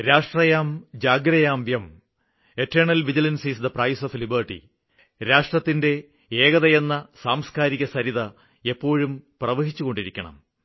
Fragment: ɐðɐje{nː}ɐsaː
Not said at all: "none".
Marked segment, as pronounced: nː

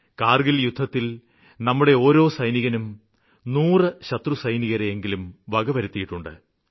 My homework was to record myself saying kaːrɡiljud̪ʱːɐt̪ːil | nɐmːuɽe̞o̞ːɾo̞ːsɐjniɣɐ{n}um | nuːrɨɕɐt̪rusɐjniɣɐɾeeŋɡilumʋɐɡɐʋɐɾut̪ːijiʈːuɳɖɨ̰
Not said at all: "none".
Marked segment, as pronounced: n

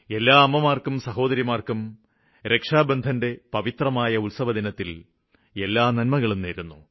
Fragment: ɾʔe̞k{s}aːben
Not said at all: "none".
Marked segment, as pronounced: ʂ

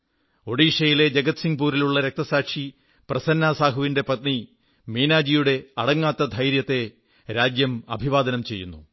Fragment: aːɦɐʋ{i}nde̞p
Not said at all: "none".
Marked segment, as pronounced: i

